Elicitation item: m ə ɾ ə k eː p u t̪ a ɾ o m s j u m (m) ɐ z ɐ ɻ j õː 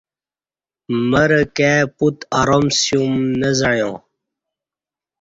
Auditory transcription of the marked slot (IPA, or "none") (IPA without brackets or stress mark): n